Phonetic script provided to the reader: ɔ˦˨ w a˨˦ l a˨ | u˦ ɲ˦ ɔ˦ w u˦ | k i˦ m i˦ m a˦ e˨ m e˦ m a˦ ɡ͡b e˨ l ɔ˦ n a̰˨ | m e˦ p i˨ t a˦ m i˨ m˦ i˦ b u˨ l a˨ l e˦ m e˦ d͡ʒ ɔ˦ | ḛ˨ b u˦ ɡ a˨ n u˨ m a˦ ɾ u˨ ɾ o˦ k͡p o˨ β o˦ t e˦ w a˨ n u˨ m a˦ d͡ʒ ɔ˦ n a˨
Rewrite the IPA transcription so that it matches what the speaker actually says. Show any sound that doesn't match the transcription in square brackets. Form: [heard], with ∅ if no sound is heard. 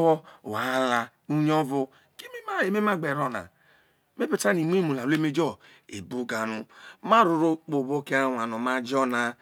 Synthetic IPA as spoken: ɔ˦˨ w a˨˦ l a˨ | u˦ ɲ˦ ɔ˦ [v] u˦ | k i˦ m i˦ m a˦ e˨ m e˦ m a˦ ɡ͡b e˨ [ɾ] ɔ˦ n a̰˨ | m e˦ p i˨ t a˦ [n] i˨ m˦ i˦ [m] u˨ l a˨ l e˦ m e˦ d͡ʒ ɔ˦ | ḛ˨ b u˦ ɡ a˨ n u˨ m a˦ ɾ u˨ ɾ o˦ k͡p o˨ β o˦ [k] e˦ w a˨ n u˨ m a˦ d͡ʒ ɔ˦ n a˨

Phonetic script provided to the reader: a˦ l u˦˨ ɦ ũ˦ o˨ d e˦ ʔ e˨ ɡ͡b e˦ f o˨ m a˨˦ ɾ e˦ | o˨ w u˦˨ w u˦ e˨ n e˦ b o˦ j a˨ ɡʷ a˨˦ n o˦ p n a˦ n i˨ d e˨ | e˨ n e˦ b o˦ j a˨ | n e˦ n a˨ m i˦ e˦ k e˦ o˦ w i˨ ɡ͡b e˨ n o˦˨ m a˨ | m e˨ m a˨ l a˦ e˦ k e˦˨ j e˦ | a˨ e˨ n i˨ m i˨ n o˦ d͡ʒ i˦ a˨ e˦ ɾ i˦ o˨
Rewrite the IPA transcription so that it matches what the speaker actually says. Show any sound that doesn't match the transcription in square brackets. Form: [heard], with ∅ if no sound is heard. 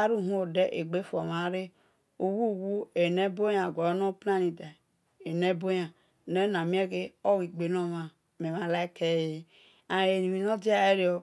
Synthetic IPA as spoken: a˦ [ɾ] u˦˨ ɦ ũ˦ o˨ d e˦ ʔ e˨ ɡ͡b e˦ f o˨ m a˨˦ ɾ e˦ | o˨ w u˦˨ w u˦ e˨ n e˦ b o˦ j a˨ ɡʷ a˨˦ n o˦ p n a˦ n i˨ d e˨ | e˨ n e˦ b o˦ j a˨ | n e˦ n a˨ m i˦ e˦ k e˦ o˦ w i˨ ɡ͡b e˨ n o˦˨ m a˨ | m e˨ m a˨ l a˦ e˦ k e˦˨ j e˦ | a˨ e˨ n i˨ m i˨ n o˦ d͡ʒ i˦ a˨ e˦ ɾ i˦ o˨

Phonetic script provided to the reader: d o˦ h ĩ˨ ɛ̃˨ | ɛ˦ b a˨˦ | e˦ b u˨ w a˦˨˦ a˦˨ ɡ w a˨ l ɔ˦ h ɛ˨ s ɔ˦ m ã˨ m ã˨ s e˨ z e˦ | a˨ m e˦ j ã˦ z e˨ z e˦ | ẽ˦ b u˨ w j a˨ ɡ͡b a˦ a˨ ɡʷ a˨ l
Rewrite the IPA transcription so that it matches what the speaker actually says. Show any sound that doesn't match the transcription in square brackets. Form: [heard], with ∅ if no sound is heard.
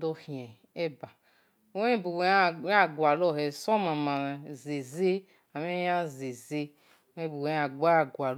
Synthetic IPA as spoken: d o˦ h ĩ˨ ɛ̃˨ | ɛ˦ b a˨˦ | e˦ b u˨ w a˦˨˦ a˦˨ ɡ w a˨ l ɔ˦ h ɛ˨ s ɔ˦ m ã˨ m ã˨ [z] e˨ z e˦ | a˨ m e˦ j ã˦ z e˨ z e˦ | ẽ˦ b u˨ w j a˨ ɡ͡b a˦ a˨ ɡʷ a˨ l

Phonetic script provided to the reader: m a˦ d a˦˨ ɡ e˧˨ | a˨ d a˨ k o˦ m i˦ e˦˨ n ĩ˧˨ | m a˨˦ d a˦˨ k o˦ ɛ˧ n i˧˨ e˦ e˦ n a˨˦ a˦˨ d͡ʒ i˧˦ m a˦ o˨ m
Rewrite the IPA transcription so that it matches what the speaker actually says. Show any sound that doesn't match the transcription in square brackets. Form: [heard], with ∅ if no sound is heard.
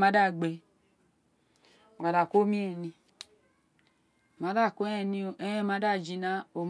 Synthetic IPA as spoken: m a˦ d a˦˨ [ɡ͡b] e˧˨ | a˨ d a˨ k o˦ m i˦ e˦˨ n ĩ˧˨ | m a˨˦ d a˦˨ k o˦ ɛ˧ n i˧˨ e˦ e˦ [m] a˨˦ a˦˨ d͡ʒ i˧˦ [n] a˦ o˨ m

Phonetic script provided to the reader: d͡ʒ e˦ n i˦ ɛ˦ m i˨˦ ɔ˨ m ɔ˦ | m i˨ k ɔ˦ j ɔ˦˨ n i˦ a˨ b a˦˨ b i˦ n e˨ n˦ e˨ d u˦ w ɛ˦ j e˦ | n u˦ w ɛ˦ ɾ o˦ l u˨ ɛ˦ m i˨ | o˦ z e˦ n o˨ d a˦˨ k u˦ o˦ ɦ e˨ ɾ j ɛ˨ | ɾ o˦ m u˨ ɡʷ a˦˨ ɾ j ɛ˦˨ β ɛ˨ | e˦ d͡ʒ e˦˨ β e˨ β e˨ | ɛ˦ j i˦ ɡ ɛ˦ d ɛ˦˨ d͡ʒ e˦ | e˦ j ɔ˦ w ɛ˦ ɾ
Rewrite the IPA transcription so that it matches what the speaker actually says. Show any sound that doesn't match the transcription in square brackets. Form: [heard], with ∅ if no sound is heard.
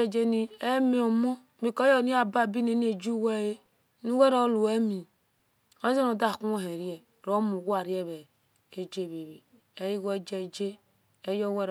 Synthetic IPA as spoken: d͡ʒ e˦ n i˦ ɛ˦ m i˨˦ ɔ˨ m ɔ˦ | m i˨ k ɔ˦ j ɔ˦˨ n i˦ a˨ b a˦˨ b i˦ n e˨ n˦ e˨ [d͡ʒ] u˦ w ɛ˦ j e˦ | n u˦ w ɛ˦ ɾ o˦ l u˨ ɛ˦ m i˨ | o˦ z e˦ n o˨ d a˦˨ k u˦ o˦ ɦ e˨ ɾ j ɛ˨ | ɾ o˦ m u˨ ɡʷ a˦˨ ɾ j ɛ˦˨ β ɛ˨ | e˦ d͡ʒ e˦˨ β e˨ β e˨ | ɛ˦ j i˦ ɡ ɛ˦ [d͡ʒ] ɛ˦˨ d͡ʒ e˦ | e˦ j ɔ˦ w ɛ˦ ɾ

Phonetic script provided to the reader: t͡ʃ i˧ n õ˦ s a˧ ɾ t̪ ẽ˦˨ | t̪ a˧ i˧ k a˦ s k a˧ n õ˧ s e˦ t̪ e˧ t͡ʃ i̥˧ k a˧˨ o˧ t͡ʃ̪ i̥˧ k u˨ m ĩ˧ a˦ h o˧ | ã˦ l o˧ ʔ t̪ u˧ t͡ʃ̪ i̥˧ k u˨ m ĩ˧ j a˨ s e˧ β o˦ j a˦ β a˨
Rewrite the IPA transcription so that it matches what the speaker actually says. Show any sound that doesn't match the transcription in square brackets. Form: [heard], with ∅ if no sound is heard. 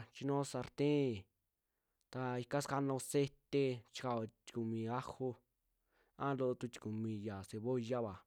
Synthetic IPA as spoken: t͡ʃ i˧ n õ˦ s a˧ ɾ t̪ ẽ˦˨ | t̪ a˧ i˧ k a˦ s k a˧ n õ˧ s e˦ t̪ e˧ t͡ʃ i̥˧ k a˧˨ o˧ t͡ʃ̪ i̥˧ k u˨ m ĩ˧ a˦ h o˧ | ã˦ l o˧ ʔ t̪ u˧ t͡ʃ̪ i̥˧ k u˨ m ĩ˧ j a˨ s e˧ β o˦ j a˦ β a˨

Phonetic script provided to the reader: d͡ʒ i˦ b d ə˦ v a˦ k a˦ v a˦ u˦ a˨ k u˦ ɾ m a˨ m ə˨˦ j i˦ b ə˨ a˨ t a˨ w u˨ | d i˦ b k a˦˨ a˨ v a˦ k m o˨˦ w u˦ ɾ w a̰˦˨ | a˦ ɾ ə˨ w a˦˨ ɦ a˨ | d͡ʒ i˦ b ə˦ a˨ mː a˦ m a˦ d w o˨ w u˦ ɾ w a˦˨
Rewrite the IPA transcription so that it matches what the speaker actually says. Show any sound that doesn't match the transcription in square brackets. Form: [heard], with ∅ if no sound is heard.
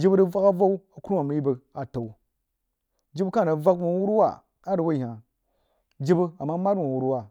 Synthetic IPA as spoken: d͡ʒ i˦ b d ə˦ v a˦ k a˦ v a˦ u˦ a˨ k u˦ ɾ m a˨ m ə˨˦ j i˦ b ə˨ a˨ t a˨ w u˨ | [d͡ʒ] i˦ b k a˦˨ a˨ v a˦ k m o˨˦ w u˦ ɾ w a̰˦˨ | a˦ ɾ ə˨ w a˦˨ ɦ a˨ | d͡ʒ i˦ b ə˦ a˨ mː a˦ m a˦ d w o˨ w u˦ ɾ w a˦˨

